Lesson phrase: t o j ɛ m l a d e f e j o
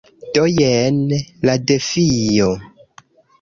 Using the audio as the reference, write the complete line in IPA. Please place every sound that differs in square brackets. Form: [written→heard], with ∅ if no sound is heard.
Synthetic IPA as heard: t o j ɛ [m→n] l a d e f [e→i] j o